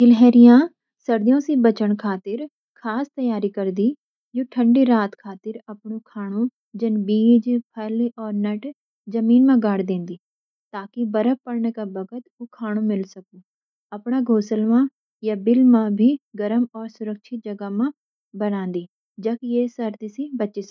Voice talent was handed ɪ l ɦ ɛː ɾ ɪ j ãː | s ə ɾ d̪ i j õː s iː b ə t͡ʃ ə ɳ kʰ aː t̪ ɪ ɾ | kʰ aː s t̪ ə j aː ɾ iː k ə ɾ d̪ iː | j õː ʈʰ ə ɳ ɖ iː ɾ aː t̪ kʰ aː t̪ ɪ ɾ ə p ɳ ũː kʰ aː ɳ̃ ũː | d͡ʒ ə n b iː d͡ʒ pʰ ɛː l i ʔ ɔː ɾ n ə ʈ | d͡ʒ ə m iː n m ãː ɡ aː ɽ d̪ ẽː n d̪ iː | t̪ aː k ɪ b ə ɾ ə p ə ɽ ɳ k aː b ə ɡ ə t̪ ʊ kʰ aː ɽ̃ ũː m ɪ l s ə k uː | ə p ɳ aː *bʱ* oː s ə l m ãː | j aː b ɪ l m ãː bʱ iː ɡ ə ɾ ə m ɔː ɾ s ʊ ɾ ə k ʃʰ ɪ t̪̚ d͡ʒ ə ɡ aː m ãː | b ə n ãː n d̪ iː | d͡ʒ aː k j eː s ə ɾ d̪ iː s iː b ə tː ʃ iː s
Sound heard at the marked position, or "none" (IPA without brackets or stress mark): ɡʱ